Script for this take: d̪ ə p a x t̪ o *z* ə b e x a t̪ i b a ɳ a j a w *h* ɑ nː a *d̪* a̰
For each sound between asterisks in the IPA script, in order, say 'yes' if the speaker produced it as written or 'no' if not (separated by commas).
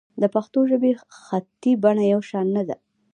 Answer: no, no, yes